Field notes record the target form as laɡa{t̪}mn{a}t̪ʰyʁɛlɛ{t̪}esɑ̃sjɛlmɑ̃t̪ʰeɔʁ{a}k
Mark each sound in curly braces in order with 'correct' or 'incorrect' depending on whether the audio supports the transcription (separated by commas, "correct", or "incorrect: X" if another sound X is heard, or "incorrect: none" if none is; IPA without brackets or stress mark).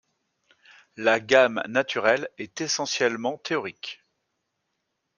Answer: incorrect: none, correct, correct, incorrect: i